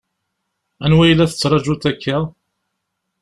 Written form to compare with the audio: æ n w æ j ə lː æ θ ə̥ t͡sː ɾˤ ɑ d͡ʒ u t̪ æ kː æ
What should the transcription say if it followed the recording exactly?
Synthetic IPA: æ n w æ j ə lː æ θ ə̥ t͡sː ɾˤ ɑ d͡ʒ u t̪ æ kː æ

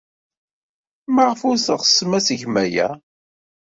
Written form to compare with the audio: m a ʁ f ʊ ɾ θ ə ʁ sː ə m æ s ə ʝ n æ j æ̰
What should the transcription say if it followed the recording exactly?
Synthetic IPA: m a ʁ f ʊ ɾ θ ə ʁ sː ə m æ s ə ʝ m æ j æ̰

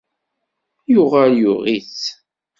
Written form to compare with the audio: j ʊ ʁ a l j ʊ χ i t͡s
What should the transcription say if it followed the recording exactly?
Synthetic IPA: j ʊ ʁ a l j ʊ ʁ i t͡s

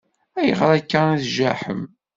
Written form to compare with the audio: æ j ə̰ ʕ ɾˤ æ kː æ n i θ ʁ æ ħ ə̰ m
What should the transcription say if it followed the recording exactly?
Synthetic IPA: æ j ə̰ ʁ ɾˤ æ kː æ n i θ ʒ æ ħ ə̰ m

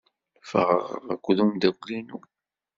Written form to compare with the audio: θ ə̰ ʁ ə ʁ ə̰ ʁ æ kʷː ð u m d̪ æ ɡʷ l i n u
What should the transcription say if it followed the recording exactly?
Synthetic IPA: f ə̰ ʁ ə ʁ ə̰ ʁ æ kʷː ð u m d̪ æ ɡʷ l i n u

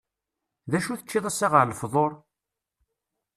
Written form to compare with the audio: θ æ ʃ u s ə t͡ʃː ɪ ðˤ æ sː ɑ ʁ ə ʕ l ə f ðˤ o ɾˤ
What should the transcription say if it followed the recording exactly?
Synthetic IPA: ð æ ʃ u θ ə t͡ʃː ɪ ðˤ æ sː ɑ ʁ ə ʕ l ə f ðˤ o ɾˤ

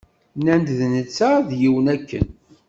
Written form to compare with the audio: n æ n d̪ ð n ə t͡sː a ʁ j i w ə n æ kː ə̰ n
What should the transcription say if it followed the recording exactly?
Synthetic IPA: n æ n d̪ ð n ə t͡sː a ð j i w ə n æ kː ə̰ n

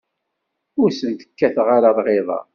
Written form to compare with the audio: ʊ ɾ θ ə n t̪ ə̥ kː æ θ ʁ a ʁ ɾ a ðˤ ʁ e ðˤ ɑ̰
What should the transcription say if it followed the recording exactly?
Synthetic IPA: ʊ ɾ s ə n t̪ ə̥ kː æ θ ʁ a ɾ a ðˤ ʁ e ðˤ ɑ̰

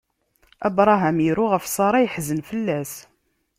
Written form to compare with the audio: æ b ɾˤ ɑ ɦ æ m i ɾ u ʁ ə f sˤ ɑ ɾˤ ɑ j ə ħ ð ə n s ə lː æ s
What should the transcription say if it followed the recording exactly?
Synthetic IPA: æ b ɾˤ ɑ ɦ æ m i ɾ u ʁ ə f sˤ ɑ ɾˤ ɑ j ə ħ z ə n f ə lː æ s

